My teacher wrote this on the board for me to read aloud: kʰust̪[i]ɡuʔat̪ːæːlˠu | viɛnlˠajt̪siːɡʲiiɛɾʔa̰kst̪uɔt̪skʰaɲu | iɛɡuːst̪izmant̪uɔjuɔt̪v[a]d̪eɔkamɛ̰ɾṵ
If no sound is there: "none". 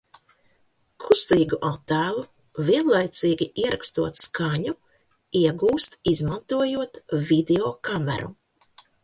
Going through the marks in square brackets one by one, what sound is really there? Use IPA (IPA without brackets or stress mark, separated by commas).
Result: iː, i